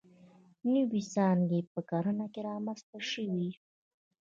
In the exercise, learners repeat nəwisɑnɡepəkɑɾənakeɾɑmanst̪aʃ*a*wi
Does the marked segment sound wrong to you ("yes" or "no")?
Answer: yes